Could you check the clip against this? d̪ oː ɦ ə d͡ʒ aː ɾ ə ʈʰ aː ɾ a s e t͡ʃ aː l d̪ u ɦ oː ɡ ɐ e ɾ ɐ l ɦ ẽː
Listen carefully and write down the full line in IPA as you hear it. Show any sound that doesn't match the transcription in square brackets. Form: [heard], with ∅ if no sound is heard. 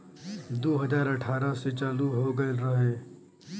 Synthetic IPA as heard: d̪ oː ɦ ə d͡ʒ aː ɾ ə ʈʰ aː ɾ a s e t͡ʃ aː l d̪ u ɦ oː ɡ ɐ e ɾ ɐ [∅] ɦ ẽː